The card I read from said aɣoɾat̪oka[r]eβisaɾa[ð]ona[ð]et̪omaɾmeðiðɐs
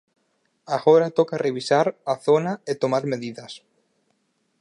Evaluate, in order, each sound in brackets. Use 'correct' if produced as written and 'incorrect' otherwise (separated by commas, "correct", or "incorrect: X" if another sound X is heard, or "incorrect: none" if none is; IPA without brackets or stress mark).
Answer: correct, incorrect: θ, incorrect: none